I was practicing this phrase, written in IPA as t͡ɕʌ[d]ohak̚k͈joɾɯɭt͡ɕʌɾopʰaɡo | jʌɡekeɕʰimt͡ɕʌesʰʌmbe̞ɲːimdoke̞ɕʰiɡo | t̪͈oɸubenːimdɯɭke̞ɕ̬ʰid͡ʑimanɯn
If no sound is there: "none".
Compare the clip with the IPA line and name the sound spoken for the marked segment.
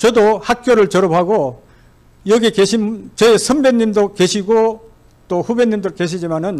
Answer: d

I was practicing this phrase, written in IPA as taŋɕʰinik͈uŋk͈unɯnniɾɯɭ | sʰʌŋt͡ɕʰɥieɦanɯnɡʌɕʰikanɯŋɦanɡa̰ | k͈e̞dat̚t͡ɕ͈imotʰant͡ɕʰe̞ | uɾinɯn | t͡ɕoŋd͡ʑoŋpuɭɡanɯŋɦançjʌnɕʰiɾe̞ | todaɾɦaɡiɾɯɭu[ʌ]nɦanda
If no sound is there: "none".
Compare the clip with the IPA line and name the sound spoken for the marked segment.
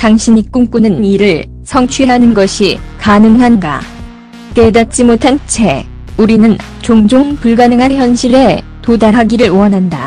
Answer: ʌ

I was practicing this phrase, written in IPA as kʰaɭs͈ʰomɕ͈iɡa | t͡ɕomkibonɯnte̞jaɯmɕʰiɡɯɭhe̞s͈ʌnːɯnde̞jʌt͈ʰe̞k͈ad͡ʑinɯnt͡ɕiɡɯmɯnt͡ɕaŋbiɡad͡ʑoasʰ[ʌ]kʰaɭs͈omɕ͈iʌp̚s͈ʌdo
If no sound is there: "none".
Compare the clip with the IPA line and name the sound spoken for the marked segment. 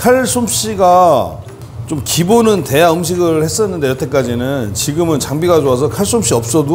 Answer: ʌ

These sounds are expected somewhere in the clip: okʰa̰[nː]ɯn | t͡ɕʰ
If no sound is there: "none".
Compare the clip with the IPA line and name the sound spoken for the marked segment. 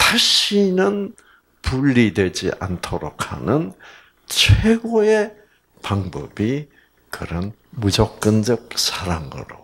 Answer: n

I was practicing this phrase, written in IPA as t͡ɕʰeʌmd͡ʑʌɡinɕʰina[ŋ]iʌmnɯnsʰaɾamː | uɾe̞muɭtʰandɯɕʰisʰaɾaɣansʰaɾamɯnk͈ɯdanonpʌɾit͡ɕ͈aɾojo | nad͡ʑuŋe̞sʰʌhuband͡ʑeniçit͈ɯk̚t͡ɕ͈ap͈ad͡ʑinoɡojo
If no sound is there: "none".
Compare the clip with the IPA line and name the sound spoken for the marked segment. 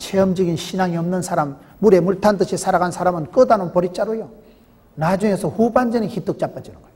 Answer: ŋ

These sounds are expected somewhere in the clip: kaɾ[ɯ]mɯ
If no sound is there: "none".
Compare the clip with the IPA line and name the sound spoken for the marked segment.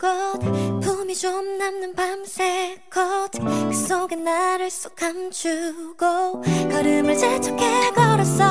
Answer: ɯ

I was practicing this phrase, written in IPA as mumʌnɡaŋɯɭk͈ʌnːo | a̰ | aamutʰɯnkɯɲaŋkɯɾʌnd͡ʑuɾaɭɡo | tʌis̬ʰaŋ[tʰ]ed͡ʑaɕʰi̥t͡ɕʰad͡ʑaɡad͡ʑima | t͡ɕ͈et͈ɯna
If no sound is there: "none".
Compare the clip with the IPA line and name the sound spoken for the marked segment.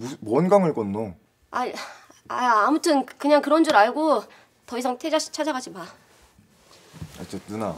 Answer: tʰ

